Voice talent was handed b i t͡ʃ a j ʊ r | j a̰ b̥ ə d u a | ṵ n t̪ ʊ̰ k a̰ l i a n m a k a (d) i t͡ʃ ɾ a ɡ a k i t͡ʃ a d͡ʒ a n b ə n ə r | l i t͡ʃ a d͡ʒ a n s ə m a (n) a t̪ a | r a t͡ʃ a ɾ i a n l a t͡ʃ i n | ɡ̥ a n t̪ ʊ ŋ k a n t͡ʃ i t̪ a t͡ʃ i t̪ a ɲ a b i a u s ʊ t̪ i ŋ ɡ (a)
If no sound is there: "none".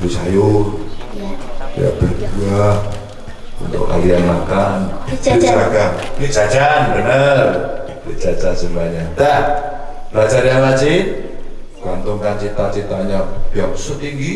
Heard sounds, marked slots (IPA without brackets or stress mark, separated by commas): n, ɲ, i